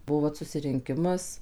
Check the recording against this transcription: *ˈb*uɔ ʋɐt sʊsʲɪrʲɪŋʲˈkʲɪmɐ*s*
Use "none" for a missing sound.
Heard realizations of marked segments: b, s

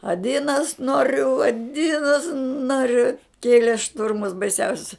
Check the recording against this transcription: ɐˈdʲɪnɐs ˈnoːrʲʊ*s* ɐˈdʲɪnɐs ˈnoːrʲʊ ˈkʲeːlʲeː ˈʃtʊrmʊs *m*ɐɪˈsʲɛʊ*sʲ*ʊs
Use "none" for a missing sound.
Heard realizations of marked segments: none, b, sʲ

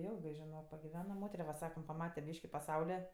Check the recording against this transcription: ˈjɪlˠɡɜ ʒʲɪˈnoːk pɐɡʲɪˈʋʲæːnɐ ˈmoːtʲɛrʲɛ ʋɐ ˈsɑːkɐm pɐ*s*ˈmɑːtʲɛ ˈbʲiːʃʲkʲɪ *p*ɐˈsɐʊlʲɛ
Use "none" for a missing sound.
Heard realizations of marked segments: none, p

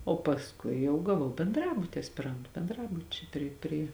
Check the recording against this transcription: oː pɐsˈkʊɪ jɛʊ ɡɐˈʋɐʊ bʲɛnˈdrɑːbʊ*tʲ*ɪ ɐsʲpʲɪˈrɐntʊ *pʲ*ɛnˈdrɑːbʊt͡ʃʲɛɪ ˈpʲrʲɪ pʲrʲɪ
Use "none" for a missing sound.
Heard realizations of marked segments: tʲ, bʲ

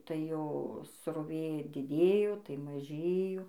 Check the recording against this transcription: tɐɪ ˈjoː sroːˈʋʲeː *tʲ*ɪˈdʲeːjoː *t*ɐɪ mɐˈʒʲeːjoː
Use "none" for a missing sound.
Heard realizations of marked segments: dʲ, t

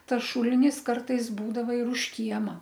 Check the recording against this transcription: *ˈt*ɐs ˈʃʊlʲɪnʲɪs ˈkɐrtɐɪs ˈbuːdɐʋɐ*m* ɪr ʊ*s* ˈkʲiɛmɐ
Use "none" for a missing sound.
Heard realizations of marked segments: t, none, ʃ

